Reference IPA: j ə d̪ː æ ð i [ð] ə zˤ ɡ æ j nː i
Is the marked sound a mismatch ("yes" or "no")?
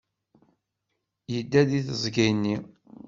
yes